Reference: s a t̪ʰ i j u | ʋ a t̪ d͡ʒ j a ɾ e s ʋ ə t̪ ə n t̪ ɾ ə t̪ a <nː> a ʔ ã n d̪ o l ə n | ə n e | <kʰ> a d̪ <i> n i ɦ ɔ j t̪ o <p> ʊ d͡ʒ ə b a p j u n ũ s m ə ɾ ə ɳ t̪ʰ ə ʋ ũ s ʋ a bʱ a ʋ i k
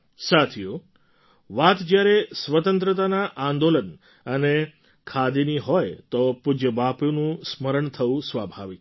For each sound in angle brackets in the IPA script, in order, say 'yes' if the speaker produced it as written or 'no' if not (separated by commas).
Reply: no, yes, yes, yes